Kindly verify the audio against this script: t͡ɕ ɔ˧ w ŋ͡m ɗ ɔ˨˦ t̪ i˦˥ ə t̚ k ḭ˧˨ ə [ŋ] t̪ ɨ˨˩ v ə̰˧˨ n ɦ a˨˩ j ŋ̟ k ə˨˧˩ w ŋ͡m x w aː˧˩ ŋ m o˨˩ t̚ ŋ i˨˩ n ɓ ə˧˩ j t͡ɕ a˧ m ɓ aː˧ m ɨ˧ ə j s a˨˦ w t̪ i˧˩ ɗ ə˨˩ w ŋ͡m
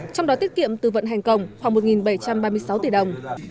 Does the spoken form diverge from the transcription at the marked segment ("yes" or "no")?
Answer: yes